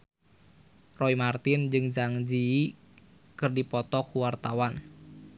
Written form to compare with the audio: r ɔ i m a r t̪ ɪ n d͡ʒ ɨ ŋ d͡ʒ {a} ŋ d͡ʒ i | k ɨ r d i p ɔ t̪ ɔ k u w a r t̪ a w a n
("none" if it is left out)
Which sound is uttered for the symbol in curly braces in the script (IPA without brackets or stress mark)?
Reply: a